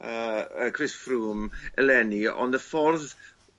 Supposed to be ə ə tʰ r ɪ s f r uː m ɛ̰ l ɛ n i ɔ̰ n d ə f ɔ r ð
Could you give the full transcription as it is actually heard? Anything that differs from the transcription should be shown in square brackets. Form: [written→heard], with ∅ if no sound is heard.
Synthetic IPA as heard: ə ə [tʰ→kʰ] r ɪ s f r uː m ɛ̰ l ɛ n i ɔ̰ n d ə f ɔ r ð